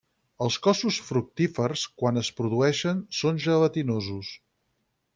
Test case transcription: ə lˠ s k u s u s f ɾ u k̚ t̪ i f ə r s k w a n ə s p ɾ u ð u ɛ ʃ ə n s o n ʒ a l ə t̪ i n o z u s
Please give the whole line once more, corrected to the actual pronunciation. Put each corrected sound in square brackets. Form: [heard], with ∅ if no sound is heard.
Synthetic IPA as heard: ə lˠ s k [ɔ] s u s f ɾ u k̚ t̪ i f ə r s k w a n ə s p ɾ u ð u ɛ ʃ ə n s o n ʒ [ə] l ə t̪ i n o z u s